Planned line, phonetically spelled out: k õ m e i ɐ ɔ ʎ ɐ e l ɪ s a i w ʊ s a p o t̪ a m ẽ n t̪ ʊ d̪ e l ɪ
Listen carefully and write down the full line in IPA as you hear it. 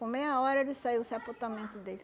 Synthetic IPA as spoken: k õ m e j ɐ ɔ ɾ ɐ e l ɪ s a i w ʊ s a p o t̪ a m ẽ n t̪ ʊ d̪ e l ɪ